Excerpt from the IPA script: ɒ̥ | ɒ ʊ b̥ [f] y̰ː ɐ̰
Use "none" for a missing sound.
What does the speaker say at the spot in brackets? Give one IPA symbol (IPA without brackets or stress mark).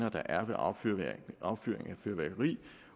f